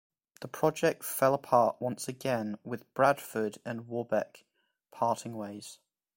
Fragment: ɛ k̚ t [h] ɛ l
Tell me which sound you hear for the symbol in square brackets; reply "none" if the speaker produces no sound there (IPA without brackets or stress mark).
f